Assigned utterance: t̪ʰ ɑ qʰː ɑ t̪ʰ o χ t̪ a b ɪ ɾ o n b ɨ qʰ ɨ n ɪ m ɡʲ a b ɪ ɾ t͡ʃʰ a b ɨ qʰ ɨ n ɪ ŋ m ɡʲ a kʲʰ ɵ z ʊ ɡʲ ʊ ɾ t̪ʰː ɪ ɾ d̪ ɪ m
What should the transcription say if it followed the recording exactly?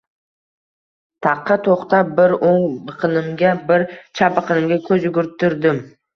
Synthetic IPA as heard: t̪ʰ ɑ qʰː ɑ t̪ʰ o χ t̪ a b ɪ ɾ o ŋ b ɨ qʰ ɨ n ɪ m ɡʲ a b ɪ ɾ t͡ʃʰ a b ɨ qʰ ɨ n ɪ m ɡʲ a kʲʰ ɵ z ʊ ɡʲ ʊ ɾ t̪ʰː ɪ ɾ d̪ ɪ m